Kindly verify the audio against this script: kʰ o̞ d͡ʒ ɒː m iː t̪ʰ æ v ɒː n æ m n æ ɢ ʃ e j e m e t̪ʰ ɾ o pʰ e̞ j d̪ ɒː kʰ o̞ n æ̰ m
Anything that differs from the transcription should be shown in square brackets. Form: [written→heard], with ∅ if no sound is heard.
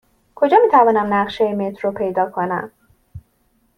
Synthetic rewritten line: kʰ o̞ d͡ʒ ɒː m iː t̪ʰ æ v ɒː n æ m n æ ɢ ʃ e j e m e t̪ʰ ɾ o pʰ e̞ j d̪ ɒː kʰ o̞ n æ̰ m